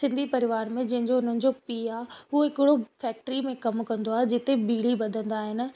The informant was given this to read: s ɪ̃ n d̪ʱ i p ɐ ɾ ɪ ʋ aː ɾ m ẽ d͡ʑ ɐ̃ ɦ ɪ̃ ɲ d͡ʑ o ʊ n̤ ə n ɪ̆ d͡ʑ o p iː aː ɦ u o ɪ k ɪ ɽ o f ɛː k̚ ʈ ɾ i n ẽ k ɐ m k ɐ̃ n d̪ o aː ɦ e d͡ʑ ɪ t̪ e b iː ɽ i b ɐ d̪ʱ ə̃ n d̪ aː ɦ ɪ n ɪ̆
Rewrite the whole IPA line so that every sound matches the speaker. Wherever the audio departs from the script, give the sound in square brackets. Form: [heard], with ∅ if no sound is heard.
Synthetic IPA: s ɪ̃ n d̪ʱ i p ɐ ɾ ɪ ʋ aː ɾ m ẽ d͡ʑ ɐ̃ ɦ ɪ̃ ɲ d͡ʑ o ʊ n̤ ə n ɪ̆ d͡ʑ o p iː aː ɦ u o ɪ k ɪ ɽ o f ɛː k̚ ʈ ɾ i [m] ẽ k ɐ m k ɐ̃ n d̪ o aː ɦ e d͡ʑ ɪ t̪ e b iː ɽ i b ɐ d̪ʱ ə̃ n d̪ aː ɦ ɪ n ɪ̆